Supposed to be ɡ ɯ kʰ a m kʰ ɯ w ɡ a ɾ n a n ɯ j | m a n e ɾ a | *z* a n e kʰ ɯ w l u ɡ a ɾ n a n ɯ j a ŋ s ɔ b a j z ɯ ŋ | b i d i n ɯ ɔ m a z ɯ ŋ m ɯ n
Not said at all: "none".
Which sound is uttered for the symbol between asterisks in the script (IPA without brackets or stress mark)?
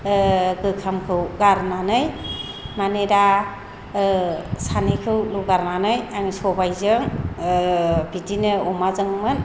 s